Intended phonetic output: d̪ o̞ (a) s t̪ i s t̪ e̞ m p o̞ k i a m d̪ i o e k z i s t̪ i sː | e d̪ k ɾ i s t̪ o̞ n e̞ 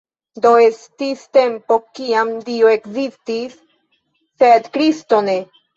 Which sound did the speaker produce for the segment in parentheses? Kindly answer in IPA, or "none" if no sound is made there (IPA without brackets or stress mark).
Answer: e